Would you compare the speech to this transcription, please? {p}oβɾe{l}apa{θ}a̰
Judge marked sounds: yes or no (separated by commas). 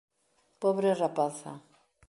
yes, no, yes